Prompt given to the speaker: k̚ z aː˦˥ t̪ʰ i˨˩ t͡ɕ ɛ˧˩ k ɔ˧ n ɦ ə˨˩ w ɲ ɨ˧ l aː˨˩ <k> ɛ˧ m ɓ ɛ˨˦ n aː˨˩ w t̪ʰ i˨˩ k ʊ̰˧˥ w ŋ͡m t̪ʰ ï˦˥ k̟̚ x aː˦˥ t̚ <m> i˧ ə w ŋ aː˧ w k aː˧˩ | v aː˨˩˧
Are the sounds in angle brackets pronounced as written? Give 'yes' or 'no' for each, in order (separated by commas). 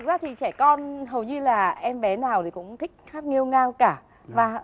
no, no